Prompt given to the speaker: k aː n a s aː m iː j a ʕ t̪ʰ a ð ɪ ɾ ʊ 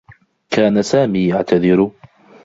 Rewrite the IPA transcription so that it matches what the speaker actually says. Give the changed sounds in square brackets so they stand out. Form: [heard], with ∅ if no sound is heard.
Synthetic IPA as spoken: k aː n a s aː m iː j a ʕ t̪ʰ a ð ɪ ɾ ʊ